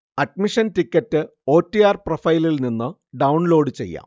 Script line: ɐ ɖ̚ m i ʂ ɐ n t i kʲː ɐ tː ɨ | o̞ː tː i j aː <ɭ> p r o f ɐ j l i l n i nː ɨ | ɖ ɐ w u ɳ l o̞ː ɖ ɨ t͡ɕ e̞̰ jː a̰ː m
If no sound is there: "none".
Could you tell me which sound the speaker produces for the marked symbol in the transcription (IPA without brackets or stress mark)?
r